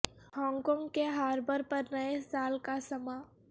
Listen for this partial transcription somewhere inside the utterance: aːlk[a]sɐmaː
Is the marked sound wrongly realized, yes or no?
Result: no